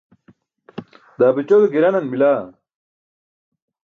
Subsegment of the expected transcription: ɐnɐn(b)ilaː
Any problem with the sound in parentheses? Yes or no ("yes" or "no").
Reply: yes